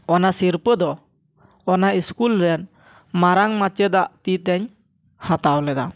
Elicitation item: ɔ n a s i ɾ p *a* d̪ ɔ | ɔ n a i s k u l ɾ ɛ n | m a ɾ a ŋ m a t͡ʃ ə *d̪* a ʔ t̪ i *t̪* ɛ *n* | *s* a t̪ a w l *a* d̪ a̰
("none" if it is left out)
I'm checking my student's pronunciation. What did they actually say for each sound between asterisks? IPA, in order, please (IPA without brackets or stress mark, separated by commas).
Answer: ə, d̪, t̪, ɲ, h, ɛ